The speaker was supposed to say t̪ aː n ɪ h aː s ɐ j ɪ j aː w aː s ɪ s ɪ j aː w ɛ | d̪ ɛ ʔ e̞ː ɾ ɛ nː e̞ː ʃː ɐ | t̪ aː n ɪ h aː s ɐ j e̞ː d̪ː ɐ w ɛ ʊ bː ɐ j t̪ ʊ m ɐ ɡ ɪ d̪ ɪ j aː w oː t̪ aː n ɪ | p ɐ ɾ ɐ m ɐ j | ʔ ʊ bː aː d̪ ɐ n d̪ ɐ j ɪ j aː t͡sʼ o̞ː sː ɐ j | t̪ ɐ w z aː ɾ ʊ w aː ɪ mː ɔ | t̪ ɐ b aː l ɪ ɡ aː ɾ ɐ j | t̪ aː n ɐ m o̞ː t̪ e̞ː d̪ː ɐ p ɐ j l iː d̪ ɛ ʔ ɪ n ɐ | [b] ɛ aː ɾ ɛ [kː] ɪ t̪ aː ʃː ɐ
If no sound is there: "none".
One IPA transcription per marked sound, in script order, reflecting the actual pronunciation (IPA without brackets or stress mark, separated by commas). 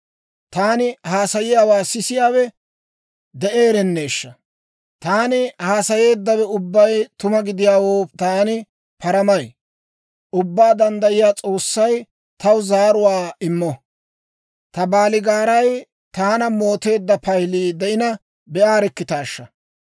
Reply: b, kː